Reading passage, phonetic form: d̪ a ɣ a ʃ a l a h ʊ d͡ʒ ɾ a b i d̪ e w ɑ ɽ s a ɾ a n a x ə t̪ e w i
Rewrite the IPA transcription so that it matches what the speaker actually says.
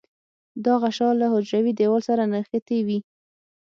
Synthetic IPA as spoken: d̪ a ɣ a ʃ ɑ l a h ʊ d͡ʒ ɾ a w i d̪ e w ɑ l s a ɾ a n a x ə t̪ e w i

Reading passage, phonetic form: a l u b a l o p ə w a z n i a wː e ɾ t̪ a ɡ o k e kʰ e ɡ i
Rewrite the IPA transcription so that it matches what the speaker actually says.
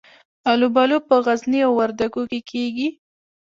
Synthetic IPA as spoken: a l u b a l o p ə ɣ a z n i a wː a ɾ d̪ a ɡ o k e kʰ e ɡ i

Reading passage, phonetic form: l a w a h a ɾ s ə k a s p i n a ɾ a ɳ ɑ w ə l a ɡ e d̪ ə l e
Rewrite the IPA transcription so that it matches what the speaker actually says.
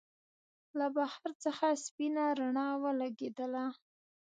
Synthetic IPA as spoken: l a b a h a ɾ t͡s ə x a s p i n a ɾ a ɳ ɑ w ə l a ɡ e d̪ ə l a

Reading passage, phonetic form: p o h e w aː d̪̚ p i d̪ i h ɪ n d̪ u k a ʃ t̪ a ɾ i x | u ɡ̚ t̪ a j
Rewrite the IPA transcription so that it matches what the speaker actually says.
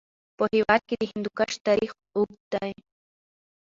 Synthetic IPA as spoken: p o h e w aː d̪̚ k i d̪ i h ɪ n d̪ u k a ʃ t̪ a ɾ i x | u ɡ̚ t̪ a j

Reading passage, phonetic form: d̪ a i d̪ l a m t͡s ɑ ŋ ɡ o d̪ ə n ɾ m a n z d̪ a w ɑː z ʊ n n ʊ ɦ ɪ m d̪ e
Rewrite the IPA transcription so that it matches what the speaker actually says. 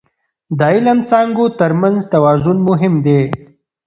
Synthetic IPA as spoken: d̪ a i l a m t͡s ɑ ŋ ɡ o t̪ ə ɾ m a n z t̪ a w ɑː z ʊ n m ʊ ɦ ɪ m d̪ e

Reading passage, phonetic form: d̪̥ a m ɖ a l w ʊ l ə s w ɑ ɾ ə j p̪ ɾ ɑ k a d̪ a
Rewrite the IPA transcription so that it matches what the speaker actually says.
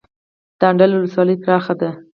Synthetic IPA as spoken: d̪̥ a ɳ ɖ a l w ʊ l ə s w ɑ l ə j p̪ ɾ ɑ x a d̪ a

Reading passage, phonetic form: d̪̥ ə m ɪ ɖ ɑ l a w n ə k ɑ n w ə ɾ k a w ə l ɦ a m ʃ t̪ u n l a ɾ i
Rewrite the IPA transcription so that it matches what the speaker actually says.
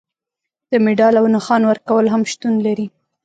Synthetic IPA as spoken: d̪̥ ə m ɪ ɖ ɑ l a w n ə x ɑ n w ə ɾ k a w ə l ɦ a m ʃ t̪ u n l a ɾ i

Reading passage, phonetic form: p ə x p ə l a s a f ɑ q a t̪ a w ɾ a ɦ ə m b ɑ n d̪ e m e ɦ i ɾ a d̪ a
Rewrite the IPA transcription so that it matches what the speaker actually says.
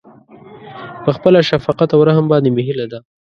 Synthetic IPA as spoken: p ə x p ə l a ʃ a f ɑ q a t̪ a w ɾ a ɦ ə m b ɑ n d̪ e m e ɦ i l a d̪ a

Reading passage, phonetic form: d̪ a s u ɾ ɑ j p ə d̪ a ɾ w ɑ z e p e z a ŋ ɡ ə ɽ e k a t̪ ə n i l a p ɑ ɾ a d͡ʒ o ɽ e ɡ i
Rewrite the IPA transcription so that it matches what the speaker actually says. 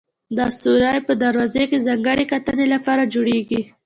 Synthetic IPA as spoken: d̪ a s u ɾ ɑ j p ə d̪ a ɾ w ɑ z e k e z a ŋ ɡ ə ɽ e k a t̪ ə n e l a p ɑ ɾ a d͡ʒ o ɽ e ɡ i

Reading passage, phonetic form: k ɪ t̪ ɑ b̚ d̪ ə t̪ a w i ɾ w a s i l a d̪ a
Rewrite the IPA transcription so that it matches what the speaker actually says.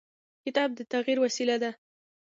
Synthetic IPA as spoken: k ɪ t̪ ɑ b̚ d̪ ə t̪ a ɣ i ɾ w a s i l a d̪ a

